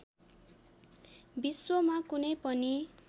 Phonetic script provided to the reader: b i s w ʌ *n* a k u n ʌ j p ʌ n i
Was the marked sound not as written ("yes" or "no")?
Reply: yes